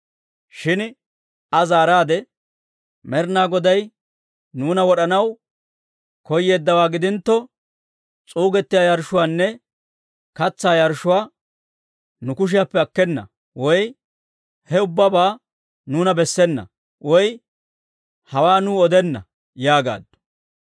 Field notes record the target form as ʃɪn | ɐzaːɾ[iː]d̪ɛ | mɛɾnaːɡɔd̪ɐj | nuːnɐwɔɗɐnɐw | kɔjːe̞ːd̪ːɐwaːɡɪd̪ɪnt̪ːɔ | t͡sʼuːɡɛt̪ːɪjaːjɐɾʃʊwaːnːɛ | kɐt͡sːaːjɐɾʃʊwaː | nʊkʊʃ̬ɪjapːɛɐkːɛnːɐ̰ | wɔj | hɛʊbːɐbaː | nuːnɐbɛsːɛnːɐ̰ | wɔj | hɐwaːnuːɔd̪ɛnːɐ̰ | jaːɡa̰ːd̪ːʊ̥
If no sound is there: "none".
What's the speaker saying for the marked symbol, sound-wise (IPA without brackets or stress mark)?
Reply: aː